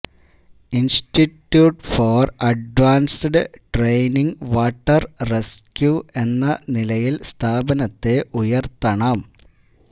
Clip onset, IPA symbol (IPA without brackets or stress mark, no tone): i